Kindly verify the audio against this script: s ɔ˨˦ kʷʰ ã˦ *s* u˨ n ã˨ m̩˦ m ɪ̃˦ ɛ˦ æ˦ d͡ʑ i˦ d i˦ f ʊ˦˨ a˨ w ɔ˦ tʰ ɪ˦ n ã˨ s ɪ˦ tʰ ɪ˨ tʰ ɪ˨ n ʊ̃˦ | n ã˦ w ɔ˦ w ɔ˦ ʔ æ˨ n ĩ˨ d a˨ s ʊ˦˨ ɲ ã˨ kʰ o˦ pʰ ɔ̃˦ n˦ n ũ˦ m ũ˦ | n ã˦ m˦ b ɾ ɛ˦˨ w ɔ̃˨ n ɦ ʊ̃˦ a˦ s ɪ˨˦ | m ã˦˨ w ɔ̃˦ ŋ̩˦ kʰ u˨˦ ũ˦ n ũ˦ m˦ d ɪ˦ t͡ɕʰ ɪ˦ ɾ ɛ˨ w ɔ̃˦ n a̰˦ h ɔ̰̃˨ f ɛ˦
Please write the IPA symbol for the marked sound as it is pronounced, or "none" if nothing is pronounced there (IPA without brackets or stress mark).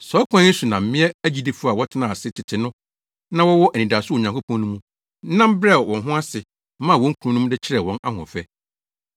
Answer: s